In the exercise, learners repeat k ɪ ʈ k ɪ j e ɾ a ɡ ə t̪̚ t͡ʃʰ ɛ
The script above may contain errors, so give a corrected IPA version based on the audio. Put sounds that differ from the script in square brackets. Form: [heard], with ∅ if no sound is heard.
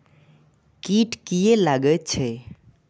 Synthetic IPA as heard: k [i] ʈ k [i] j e [l] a ɡ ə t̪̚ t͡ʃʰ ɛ